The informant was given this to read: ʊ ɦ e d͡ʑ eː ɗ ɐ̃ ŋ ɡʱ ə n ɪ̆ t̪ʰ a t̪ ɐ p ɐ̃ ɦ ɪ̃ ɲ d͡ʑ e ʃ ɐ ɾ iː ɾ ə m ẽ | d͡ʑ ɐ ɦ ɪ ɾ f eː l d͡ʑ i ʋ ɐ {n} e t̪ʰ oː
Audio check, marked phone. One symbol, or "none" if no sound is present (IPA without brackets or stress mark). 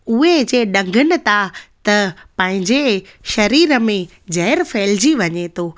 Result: ɲ